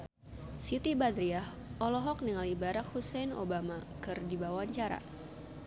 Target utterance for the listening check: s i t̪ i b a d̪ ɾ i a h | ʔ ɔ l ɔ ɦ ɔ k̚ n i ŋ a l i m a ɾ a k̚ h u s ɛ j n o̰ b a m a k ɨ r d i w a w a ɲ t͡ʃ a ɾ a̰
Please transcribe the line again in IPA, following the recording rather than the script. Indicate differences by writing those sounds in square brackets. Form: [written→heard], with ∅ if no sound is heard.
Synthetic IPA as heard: s i t̪ i b a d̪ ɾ i a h | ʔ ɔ l ɔ ɦ ɔ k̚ n i ŋ a l i [m→b] a ɾ a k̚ h u s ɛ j n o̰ b a m a k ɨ r d i [w→b] a w a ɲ t͡ʃ a ɾ a̰